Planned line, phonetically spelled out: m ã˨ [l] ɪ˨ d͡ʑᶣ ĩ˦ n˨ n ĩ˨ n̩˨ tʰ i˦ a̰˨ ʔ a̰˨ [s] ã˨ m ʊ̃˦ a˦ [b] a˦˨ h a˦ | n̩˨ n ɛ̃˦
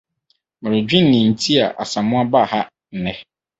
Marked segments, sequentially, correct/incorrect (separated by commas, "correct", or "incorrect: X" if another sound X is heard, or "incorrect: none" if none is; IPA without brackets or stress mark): incorrect: ɾ, correct, correct